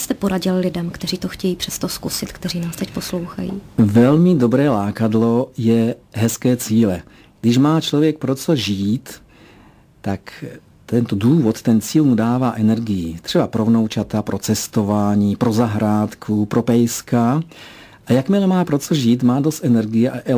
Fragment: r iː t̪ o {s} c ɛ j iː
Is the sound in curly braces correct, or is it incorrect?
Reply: incorrect: x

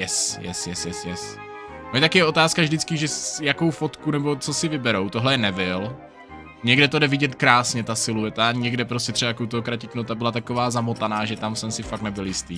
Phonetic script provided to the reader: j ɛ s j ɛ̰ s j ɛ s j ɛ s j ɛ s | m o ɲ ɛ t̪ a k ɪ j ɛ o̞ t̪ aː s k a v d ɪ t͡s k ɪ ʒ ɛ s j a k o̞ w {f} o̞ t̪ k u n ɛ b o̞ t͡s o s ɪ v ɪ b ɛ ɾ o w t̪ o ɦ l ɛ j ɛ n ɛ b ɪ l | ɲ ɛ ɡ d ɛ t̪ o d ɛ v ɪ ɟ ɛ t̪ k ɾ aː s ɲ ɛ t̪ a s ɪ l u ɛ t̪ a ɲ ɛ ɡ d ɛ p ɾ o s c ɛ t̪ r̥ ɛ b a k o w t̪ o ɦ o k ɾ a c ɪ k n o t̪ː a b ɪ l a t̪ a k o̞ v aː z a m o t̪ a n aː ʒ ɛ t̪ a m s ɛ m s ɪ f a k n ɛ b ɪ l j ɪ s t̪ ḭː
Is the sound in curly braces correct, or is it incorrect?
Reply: correct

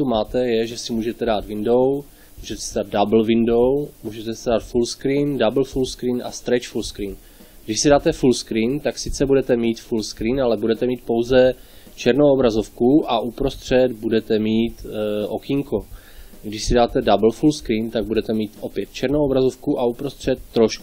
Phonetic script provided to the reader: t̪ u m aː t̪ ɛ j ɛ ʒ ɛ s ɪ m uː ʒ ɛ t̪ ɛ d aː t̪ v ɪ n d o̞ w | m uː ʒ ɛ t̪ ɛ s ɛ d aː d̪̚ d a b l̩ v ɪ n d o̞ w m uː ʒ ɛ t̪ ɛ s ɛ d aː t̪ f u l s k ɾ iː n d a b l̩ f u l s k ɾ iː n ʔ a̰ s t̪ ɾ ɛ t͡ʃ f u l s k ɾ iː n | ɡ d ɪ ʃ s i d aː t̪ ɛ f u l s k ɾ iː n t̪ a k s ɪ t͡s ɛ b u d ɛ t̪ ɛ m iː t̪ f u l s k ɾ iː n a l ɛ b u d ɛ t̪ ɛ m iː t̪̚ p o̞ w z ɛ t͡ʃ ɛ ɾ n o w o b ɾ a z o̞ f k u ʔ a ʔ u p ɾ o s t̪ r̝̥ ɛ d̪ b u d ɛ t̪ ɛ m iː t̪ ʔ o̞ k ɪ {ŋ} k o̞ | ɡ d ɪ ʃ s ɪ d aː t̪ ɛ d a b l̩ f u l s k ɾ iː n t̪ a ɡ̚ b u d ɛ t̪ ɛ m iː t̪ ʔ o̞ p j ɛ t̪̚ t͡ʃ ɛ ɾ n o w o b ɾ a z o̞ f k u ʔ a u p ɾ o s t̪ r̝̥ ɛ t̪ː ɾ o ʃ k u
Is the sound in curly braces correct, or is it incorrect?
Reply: correct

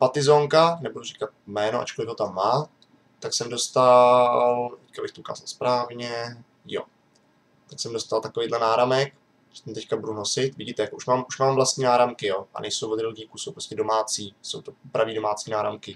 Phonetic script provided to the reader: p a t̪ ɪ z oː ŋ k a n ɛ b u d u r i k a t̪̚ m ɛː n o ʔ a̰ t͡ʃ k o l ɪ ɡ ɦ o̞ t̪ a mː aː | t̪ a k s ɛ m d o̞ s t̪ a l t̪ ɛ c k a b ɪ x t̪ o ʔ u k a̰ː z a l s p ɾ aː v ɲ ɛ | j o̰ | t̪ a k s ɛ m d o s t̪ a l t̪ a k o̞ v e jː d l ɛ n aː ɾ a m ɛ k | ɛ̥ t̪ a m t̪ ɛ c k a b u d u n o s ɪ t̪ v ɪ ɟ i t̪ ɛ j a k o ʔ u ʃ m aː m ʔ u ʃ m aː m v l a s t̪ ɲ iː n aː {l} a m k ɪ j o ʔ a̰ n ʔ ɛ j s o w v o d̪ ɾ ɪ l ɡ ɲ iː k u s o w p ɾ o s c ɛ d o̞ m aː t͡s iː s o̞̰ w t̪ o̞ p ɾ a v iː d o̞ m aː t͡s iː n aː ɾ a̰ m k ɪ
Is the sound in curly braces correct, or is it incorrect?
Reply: incorrect: ɾ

